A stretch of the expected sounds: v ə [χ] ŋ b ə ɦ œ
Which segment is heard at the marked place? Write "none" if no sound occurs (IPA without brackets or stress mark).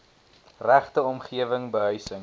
none